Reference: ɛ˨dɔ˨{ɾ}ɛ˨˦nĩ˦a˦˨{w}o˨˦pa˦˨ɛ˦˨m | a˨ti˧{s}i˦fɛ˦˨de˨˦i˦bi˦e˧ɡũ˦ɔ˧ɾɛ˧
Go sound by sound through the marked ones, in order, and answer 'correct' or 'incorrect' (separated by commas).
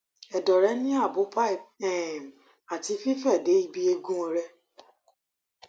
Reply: correct, incorrect, incorrect